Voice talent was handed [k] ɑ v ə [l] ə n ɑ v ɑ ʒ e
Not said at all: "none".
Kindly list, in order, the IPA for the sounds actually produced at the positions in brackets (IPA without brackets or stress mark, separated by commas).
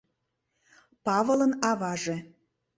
p, l